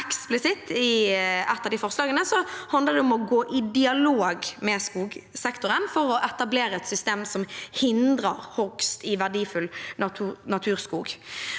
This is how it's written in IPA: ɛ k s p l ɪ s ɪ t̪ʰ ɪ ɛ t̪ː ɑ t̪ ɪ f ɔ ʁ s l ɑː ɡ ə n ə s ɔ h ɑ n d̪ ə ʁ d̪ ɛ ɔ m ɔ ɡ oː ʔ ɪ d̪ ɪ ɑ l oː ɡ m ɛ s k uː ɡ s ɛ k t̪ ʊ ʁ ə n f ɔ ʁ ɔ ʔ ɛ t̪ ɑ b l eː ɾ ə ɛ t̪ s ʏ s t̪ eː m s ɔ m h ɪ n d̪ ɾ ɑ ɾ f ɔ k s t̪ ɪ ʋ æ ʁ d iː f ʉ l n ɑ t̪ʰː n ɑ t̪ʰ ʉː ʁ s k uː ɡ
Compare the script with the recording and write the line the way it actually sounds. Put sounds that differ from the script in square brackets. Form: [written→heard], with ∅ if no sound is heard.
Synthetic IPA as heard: ɛ k s p l ɪ s ɪ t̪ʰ ɪ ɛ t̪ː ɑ [t̪→d̪] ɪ f ɔ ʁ s l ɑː ɡ ə n ə s ɔ h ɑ n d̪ ə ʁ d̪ ɛ ɔ m ɔ ɡ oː ʔ ɪ d̪ ɪ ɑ l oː ɡ m ɛ s k uː ɡ s ɛ k t̪ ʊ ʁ ə n f ɔ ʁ ɔ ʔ ɛ t̪ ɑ b l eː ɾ ə ɛ t̪ s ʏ s t̪ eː m s ɔ m h ɪ n d̪ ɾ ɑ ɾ [f→h] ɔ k s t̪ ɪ ʋ æ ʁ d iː f ʉ l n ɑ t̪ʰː n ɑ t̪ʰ ʉː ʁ s k uː ɡ